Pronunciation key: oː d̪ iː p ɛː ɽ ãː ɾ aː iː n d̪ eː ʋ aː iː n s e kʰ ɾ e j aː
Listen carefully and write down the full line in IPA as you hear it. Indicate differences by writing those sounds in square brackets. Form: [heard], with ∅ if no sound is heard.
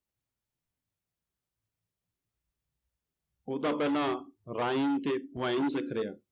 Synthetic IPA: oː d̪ [aː] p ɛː [l] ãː ɾ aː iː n [t̪] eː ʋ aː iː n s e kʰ ɾ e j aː